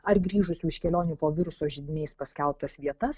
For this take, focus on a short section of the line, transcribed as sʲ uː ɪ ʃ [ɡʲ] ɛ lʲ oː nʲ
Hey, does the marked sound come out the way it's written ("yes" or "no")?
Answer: no